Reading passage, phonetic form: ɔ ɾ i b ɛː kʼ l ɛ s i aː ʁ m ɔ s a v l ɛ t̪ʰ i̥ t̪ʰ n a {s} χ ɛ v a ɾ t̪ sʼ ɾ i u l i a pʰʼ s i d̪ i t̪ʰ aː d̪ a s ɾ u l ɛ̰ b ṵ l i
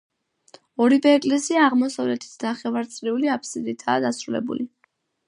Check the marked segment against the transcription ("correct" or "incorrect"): incorrect